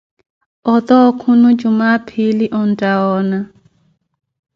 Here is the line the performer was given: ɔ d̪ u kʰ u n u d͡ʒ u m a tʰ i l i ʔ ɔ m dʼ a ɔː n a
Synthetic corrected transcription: ɔ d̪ ɔ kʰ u n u d͡ʒ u m a pʰ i l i ʔ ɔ n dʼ a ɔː n a